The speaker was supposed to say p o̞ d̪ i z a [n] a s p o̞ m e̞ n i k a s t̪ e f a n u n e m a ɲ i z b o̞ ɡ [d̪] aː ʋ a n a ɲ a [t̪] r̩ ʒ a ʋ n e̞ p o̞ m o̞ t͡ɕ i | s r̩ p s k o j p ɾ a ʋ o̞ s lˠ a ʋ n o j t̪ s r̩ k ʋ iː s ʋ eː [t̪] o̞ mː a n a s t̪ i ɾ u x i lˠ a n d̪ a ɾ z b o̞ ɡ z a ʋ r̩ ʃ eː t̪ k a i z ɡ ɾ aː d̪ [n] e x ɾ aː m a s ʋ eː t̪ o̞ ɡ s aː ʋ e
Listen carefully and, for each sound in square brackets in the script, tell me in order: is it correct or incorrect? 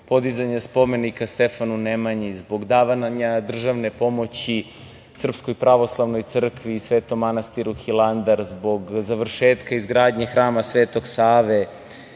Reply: incorrect: ɲ, correct, incorrect: d̪, correct, incorrect: ɲ

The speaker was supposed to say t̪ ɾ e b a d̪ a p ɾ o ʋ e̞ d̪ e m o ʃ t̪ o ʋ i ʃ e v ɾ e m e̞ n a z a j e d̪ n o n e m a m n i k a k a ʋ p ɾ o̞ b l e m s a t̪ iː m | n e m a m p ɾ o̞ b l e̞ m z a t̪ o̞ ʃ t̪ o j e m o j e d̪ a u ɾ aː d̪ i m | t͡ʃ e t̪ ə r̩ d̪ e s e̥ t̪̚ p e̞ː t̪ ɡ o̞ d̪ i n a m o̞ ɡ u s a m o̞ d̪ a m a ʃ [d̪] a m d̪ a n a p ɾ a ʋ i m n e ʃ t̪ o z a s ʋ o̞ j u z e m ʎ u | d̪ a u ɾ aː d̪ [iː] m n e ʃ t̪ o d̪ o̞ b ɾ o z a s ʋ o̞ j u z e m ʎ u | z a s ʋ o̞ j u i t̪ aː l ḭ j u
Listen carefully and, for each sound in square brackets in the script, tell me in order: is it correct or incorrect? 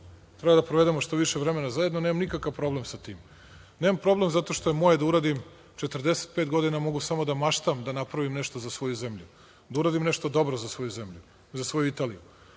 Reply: incorrect: t̪, incorrect: i

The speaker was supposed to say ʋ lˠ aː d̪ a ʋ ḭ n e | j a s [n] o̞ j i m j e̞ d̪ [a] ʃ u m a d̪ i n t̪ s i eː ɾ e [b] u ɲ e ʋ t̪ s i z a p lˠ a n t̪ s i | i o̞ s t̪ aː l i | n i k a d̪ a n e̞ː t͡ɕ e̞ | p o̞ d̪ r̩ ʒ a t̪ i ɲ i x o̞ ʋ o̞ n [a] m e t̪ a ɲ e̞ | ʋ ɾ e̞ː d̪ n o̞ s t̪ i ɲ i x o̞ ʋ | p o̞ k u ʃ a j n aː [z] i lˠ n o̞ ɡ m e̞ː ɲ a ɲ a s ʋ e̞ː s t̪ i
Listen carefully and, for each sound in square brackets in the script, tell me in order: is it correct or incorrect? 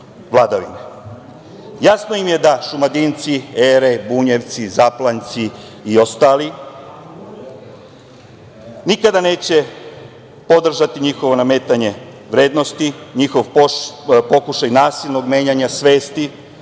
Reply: correct, correct, correct, correct, incorrect: s

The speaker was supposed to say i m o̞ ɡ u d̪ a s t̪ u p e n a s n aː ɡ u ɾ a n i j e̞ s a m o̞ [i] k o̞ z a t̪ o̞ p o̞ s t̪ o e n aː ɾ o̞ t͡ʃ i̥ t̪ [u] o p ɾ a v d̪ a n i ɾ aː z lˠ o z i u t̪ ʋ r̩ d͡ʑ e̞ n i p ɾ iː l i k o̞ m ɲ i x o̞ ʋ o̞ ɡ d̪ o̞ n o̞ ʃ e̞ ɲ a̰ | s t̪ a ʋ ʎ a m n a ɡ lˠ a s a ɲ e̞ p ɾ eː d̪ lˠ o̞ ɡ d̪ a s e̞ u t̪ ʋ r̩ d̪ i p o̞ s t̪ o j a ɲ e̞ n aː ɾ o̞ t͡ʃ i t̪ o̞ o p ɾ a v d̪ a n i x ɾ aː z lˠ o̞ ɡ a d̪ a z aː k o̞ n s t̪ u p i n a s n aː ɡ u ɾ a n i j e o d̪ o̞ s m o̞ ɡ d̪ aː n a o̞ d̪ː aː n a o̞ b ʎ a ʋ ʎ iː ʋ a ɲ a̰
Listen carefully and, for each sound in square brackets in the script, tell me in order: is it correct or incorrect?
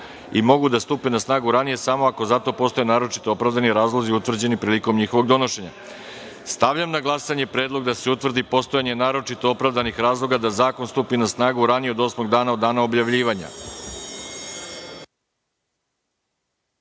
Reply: incorrect: a, incorrect: o

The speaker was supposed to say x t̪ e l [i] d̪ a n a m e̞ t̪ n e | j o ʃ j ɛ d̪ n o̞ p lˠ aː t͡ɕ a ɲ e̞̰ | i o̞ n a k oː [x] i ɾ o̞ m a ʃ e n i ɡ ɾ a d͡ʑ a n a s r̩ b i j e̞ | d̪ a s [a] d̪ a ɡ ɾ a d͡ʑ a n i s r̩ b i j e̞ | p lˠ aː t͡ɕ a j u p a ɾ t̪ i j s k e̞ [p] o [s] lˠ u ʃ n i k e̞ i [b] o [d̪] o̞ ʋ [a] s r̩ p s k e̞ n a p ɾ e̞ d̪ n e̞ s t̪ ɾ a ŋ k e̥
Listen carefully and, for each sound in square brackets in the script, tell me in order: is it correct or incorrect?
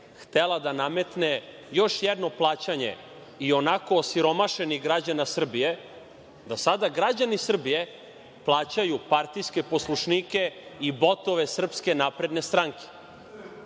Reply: incorrect: a, incorrect: s, correct, correct, correct, correct, incorrect: t̪, incorrect: e

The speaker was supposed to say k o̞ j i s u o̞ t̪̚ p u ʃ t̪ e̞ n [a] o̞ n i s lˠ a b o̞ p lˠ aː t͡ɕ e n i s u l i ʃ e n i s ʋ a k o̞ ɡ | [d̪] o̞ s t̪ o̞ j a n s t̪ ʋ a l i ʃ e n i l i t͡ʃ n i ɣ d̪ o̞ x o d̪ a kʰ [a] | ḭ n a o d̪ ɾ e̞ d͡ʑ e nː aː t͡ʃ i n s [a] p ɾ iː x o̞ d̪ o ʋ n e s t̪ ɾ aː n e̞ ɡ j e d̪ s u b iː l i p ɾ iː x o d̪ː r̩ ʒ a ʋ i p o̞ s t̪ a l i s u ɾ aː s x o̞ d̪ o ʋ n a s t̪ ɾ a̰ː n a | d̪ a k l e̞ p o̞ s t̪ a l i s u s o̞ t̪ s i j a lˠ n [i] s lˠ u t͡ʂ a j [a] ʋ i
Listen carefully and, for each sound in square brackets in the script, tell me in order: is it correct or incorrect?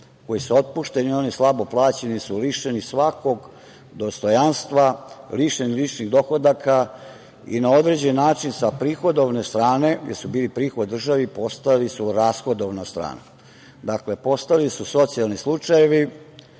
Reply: incorrect: i, correct, correct, correct, correct, incorrect: e

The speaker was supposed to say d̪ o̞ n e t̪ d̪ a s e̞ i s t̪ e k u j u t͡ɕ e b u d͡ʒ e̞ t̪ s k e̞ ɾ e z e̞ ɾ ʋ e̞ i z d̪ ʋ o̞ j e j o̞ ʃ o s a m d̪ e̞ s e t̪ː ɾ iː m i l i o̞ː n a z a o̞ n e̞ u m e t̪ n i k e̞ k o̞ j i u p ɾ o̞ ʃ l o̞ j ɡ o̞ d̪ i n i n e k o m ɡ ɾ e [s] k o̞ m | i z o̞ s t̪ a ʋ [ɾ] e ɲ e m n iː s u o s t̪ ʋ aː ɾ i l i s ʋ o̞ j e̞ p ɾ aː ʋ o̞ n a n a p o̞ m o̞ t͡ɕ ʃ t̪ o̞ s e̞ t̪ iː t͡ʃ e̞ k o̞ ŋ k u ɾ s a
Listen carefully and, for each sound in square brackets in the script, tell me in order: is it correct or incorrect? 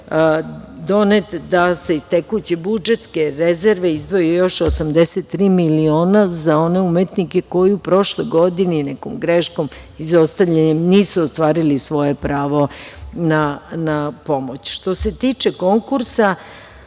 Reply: incorrect: ʃ, incorrect: ʎ

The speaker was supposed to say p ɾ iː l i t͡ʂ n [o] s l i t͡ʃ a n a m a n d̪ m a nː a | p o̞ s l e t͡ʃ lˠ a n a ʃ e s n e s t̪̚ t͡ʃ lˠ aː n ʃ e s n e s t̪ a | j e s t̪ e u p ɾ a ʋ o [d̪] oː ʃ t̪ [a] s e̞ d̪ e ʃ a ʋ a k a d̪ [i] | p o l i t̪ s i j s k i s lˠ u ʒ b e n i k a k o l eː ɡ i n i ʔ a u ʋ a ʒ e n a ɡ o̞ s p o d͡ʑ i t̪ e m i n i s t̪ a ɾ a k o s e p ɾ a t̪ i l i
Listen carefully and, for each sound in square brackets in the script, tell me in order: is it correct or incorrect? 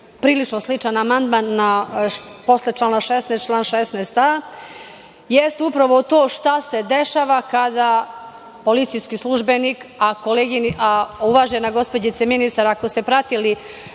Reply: correct, incorrect: t̪, correct, incorrect: a

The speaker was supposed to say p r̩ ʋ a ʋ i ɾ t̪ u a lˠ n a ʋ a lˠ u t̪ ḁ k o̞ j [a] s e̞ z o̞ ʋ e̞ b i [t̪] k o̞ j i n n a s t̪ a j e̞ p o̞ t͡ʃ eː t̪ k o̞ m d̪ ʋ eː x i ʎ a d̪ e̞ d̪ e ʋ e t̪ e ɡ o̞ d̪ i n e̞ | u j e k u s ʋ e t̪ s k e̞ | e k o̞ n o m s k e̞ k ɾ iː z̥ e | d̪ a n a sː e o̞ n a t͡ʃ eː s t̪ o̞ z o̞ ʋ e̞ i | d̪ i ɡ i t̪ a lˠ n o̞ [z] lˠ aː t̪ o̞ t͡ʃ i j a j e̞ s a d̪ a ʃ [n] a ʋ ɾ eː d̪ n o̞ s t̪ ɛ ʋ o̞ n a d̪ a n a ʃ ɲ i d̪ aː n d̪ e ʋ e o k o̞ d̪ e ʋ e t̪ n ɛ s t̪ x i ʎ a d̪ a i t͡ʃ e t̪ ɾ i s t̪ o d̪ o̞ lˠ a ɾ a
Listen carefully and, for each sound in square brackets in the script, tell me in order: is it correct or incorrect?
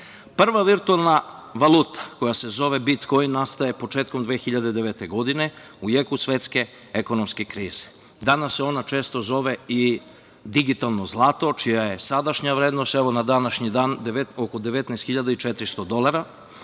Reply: correct, correct, correct, incorrect: ɲ

